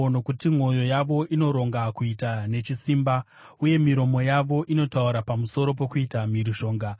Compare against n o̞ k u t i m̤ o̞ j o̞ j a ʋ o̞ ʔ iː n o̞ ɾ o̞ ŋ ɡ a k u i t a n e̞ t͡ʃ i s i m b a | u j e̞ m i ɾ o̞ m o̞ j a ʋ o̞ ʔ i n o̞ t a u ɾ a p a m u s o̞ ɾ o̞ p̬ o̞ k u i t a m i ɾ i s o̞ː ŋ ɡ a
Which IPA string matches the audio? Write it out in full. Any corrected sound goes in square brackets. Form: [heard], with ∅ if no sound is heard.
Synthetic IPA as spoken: n o̞ k u t i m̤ o̞ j o̞ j a ʋ o̞ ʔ [i] n o̞ ɾ o̞ ŋ ɡ a k u i t a n e̞ t͡ʃ i s i m b a | u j e̞ m i ɾ o̞ m o̞ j a ʋ o̞ ʔ i n o̞ t a u ɾ a p a m u s o̞ ɾ o̞ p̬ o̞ k u i t a m i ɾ i [ʃ] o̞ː ŋ ɡ a